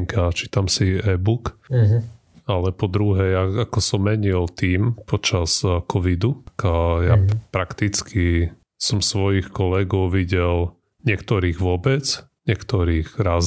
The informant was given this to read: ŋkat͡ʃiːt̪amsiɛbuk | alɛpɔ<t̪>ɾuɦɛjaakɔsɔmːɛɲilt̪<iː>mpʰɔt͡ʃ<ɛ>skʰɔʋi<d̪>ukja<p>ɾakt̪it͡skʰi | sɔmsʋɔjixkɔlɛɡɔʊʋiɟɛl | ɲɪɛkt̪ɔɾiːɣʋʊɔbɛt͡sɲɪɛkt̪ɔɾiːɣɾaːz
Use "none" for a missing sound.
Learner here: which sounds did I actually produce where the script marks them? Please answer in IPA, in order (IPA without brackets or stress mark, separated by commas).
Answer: d̪, iː, a, d̪, p